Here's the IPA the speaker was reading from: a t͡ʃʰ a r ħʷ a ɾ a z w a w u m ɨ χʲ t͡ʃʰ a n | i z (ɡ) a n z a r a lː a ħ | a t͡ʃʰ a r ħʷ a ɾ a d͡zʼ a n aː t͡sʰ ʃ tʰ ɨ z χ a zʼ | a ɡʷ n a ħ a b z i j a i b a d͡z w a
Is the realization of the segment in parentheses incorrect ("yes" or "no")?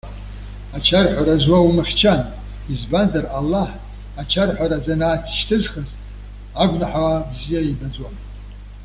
yes